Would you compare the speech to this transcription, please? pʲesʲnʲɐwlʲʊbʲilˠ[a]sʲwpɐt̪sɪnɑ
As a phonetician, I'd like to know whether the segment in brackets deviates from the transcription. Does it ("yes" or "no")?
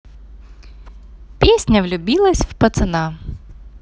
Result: yes